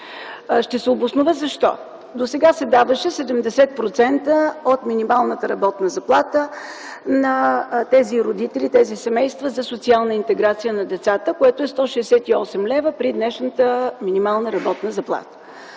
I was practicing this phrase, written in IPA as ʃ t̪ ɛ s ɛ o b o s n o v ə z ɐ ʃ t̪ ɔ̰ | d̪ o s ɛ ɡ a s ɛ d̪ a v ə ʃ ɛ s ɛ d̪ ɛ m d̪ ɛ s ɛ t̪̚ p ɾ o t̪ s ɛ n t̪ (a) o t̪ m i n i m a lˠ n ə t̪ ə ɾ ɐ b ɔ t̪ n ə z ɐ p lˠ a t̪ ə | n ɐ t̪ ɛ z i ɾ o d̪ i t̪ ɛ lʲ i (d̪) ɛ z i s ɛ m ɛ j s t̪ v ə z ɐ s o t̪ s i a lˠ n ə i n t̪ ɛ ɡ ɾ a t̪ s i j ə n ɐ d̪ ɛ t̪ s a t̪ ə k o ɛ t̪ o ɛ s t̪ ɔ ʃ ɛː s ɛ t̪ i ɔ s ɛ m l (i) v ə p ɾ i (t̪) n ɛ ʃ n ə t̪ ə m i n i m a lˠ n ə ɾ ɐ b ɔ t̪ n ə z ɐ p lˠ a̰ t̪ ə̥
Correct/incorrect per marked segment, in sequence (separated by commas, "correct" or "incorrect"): incorrect, incorrect, incorrect, incorrect